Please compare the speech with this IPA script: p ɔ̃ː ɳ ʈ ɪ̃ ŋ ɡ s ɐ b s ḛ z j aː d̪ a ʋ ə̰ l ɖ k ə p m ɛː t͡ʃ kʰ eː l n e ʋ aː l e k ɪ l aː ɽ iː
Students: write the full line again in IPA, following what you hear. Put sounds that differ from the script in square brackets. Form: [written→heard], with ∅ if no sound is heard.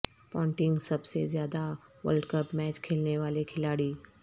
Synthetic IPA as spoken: p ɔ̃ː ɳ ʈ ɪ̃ ŋ ɡ s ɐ b s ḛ z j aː d̪ a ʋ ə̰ l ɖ k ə p m ɛː t͡ʃ kʰ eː l n e ʋ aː l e [k→kʰ] ɪ l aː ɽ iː